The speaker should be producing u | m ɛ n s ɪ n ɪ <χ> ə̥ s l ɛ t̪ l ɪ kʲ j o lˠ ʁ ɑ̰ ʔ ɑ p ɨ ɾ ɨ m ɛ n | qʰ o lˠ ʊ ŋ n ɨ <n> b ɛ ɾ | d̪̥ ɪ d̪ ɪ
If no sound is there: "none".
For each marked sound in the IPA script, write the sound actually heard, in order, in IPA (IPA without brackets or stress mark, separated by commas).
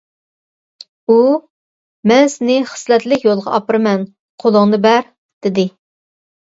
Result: χ, none